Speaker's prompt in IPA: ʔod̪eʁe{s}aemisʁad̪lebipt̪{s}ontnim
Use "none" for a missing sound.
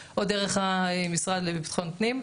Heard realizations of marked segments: χ, χ

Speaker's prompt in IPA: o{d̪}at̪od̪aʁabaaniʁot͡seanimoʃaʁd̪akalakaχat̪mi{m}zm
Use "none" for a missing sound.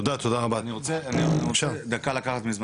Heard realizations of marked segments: d̪, none

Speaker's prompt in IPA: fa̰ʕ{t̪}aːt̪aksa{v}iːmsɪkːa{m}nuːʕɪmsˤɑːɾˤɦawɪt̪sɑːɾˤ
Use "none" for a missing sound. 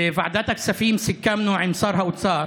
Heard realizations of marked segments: d̪, f, m

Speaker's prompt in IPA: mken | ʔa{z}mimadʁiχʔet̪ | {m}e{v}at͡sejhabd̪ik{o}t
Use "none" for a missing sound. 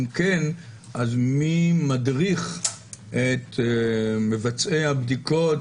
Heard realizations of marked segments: z, m, v, o

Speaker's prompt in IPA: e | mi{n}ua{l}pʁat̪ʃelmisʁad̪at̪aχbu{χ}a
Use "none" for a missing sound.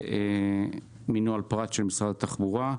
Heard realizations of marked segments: n, l, ʁ

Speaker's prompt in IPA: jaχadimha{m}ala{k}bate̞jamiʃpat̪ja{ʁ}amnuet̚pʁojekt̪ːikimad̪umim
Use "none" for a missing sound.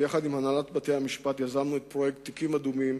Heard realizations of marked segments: n, t, z

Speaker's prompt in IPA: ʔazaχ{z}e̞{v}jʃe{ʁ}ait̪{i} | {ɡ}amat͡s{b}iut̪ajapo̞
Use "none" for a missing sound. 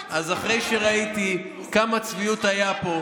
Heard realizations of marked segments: ʁ, none, ʁ, i, k, v

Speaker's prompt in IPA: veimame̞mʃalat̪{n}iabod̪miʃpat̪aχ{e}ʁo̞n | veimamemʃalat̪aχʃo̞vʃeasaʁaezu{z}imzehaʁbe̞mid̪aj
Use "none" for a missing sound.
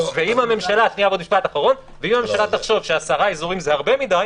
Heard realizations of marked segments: n, a, ʁ

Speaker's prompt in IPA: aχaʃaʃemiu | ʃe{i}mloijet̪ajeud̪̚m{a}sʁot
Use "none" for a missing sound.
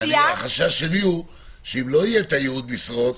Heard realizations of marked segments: i, i

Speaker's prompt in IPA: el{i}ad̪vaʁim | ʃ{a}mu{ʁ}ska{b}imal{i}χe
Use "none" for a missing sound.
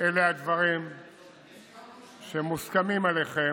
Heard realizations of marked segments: e, e, none, m, e

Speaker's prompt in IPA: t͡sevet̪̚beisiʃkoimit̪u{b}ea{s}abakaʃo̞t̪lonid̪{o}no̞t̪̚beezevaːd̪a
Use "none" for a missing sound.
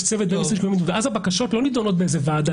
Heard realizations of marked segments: v, z, o

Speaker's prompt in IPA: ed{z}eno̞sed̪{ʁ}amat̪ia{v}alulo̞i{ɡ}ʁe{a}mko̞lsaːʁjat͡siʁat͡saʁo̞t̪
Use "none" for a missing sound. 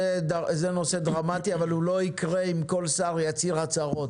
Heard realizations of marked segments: z, ʁ, v, k, i

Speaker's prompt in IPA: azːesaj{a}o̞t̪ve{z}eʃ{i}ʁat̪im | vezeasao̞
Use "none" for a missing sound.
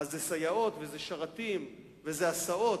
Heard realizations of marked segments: a, z, a

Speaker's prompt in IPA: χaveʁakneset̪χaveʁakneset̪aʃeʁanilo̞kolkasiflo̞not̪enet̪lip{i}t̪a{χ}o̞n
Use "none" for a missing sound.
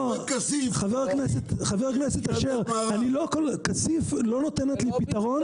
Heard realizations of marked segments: i, ʁ

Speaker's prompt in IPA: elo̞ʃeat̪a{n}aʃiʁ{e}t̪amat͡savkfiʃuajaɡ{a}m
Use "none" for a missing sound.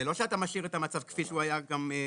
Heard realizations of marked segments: m, e, a

